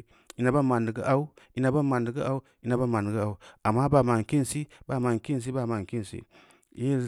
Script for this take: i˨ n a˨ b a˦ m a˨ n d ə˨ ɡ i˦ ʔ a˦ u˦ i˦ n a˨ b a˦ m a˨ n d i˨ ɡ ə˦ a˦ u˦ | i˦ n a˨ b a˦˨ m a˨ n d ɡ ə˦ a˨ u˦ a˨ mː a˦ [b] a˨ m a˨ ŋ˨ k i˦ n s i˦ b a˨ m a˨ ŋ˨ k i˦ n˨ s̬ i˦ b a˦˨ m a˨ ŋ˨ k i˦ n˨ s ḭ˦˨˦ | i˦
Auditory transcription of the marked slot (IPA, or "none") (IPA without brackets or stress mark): b